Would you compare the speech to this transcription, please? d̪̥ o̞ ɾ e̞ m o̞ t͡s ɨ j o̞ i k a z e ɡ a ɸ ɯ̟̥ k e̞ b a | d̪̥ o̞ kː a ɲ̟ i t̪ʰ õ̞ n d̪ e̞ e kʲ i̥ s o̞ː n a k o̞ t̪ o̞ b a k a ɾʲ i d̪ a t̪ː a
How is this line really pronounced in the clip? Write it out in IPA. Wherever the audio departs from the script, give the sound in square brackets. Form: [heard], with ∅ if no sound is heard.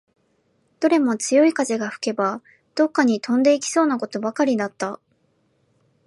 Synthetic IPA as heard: d̪̥ o̞ ɾ e̞ m o̞ t͡s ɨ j o̞ i k a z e ɡ a ɸ ɯ̟̥ k e̞ b a | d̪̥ o̞ kː a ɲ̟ i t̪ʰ õ̞ n d̪ e̞ [i] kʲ i̥ s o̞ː n a k o̞ t̪ o̞ b a k a ɾʲ i d̪ a t̪ː a